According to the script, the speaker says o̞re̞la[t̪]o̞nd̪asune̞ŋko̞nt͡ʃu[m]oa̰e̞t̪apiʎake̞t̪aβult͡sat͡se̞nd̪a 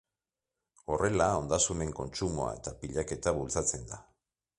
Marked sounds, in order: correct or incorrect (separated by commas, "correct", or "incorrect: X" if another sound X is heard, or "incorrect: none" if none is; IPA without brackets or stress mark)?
incorrect: none, correct